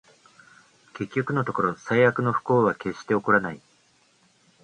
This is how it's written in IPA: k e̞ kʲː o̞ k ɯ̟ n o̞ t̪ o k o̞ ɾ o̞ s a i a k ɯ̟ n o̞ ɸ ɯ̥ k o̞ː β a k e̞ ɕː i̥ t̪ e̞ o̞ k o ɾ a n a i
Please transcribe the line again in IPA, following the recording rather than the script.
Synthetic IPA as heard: k e̞ kʲː o̞ k ɯ̟ n o̞ t̪ o k o̞ ɾ o̞ s a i a k ɯ̟ n o̞ ɸ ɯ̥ k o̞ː β a k e̞ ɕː i̥ t̪ e̞ o̞ k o ɾ a n a i